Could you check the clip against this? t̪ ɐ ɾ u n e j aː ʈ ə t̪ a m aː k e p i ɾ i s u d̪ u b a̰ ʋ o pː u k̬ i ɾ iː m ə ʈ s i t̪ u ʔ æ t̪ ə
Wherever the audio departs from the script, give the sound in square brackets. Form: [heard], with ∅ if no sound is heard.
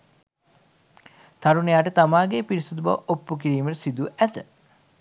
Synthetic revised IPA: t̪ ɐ ɾ u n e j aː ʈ ə t̪ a m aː [ɡ] e p i ɾ i s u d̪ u b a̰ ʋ o pː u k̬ i ɾ iː m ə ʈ s i [d̪] u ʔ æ t̪ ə